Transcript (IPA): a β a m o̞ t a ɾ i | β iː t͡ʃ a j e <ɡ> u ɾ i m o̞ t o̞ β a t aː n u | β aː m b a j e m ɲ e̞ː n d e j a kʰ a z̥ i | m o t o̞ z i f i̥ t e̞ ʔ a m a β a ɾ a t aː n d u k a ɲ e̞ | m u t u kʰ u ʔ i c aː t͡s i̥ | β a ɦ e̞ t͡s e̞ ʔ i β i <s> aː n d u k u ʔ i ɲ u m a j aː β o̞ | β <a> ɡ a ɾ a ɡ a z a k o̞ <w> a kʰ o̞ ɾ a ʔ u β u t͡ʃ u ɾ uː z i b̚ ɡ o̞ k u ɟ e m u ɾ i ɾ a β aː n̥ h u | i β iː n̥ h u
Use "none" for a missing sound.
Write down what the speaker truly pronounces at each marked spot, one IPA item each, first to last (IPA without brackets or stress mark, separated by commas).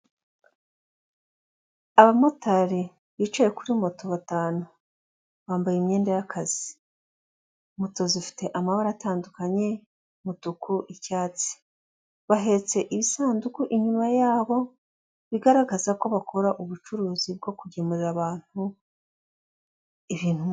k, s, i, β